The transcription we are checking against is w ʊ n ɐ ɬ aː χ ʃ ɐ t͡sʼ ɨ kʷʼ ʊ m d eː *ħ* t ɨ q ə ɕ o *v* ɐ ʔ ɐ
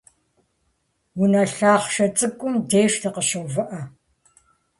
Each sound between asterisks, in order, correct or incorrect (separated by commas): incorrect, correct